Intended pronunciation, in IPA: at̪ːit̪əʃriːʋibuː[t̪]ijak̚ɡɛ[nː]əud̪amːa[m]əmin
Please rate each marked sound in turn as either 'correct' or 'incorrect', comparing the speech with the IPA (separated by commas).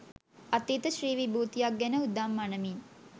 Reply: correct, incorrect, incorrect